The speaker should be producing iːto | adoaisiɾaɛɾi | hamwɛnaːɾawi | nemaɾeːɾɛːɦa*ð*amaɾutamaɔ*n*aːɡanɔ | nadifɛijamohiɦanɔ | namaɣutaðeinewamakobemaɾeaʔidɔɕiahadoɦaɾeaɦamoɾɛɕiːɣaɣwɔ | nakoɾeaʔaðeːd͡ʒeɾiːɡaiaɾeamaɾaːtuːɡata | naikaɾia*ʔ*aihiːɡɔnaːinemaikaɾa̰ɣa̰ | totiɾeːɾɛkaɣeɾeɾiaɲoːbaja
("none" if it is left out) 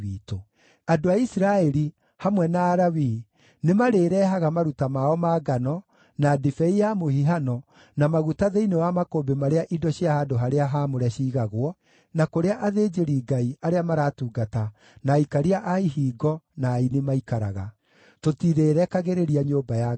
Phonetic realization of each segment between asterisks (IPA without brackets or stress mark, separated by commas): ɣ, m, ʔ